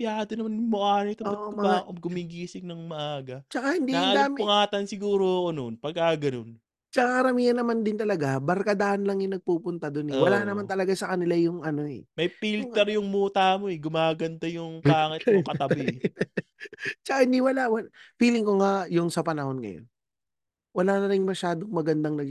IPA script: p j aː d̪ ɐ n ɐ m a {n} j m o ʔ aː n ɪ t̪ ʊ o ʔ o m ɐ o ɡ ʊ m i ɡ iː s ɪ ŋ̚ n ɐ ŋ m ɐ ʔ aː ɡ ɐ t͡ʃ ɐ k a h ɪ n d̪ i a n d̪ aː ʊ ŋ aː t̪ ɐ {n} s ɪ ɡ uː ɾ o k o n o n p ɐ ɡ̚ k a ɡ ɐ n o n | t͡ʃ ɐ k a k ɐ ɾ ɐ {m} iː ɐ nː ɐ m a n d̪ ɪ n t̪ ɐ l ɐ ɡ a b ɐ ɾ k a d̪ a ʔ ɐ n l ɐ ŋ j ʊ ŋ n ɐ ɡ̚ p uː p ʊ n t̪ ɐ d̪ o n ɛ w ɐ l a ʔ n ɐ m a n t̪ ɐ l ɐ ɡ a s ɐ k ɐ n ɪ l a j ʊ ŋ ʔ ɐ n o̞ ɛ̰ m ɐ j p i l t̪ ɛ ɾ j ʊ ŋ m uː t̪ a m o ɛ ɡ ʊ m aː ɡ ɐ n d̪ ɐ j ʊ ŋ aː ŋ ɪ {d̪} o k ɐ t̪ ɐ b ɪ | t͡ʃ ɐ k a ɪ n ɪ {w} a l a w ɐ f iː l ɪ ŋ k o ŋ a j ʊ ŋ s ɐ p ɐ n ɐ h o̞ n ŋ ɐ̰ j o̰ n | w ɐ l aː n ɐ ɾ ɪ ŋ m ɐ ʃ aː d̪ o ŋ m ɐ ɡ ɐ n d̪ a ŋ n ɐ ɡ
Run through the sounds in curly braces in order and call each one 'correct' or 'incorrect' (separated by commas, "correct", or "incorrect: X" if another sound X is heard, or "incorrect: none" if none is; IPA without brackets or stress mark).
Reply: correct, correct, correct, incorrect: t̪, correct